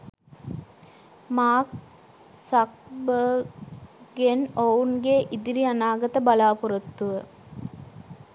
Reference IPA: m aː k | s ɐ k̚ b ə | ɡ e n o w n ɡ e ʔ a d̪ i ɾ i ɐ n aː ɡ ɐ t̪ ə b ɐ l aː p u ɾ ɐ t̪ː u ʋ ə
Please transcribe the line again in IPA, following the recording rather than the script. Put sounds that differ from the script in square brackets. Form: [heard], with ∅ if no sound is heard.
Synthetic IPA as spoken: m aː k | s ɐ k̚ b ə | ɡ e n o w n ɡ e ʔ [i] d̪ i ɾ i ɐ n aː ɡ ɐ t̪ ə b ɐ l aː p u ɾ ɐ t̪ː u ʋ ə